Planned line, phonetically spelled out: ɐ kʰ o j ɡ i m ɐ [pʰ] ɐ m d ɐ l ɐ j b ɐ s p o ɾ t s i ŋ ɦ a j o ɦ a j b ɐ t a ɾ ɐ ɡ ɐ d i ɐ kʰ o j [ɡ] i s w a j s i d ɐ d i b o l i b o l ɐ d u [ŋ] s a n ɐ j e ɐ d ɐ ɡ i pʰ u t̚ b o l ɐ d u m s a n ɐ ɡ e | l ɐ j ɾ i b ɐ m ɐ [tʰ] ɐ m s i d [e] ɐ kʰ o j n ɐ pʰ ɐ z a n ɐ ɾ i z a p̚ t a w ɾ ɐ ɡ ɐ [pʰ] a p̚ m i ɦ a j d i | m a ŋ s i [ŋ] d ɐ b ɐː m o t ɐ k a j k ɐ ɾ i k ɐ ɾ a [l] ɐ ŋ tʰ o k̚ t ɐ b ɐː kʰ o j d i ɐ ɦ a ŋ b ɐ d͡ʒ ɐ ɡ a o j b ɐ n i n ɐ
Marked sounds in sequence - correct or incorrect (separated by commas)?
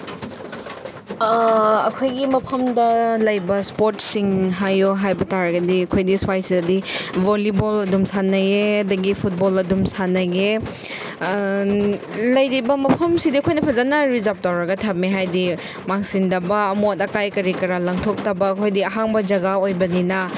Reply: correct, incorrect, incorrect, incorrect, incorrect, incorrect, incorrect, correct